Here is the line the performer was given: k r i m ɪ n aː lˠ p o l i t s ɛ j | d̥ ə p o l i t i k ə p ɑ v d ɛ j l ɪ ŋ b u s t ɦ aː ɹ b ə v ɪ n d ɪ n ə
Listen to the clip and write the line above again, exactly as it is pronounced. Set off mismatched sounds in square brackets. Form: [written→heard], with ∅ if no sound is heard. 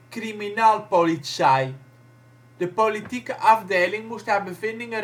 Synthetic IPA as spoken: k r i m [ɪ→i] n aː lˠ p o l i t s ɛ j | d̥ ə p o l i t i k ə [p→ʔ] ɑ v d [ɛ→e] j l ɪ ŋ [b→m] u s t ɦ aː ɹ b ə v ɪ n d ɪ [n→ŋ] ə